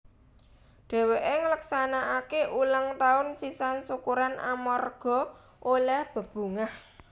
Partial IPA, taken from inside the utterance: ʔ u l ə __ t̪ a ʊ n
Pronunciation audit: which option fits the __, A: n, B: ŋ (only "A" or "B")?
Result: B